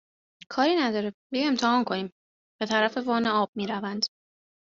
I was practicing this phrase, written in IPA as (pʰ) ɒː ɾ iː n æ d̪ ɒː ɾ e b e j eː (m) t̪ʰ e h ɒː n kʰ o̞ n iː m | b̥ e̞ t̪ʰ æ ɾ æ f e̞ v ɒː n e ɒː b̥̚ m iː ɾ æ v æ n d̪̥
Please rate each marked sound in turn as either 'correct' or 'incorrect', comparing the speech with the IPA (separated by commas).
incorrect, correct